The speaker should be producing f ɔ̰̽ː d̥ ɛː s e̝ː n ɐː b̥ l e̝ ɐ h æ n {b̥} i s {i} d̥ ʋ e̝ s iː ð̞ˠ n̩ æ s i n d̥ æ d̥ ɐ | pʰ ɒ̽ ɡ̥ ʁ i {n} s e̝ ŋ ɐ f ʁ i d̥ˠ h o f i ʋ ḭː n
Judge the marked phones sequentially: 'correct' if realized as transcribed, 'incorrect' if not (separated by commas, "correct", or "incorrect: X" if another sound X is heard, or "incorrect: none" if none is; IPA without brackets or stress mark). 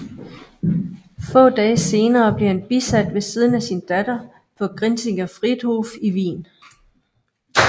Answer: correct, incorrect: æ, correct